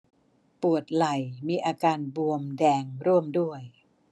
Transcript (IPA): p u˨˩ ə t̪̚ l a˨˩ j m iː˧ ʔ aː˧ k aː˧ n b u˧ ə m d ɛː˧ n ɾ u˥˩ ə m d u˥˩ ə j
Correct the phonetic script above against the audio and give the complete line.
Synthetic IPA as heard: p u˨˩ ə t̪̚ l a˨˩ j m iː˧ ʔ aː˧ k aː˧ n b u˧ ə m d ɛː˧ ŋ ɾ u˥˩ ə m d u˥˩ ə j